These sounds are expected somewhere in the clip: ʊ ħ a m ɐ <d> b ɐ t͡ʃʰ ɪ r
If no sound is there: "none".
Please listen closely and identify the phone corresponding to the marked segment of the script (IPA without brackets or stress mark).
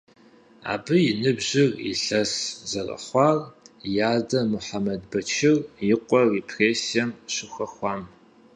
d